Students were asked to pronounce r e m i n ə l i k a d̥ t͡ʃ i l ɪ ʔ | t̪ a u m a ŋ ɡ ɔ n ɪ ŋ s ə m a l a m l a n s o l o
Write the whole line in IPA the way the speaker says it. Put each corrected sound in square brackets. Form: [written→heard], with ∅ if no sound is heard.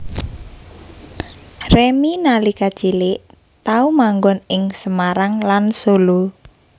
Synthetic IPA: r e m i n [ə→a] l i k a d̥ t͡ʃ i l ɪ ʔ | t̪ a u m a ŋ ɡ ɔ n ɪ ŋ s ə m a [l→ɾ] a [m→ŋ] l a n s o l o